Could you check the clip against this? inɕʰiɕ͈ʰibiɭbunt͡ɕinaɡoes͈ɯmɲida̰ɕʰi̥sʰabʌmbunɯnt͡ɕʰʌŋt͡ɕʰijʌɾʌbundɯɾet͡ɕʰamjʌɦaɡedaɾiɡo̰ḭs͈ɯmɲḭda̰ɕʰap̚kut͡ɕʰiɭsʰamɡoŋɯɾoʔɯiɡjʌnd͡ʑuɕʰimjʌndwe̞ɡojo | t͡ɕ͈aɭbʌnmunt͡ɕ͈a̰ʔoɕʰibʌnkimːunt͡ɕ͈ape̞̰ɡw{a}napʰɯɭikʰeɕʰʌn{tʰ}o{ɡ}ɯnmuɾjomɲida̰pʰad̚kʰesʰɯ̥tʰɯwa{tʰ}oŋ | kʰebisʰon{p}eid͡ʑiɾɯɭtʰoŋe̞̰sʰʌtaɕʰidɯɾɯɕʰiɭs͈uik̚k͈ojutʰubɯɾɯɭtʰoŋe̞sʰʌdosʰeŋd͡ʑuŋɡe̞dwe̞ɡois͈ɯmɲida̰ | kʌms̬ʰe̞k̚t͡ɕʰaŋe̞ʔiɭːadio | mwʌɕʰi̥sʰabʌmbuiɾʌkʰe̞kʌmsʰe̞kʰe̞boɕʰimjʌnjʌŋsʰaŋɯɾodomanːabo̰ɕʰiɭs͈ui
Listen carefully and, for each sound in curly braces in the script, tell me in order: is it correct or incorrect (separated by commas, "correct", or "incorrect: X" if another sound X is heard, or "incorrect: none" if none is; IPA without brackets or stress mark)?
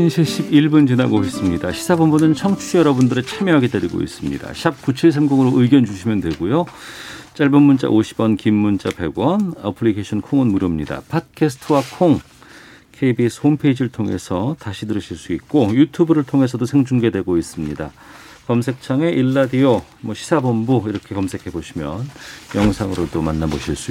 incorrect: ʌ, incorrect: kʰ, incorrect: ŋ, incorrect: kʰ, incorrect: pʰ